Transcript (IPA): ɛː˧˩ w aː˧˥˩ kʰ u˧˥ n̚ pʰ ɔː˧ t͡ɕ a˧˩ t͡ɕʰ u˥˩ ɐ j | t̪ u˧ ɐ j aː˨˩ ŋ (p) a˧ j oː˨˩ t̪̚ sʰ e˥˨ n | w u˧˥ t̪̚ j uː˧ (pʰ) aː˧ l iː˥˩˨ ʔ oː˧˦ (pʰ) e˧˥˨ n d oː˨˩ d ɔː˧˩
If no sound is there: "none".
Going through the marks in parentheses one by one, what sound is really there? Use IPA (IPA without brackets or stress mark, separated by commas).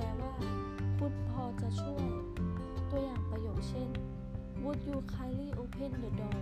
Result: p, kʰ, pʰ